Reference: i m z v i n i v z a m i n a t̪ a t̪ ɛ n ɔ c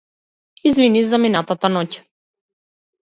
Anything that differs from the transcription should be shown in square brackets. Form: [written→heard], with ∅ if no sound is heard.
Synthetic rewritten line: i [m→∅] z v i n i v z a m i n a t̪ a t̪ [ɛ→a] n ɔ c